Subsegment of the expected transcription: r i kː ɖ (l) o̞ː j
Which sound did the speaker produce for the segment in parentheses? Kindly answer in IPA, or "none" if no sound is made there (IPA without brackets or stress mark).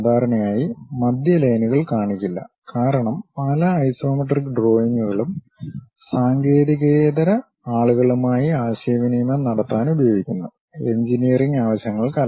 r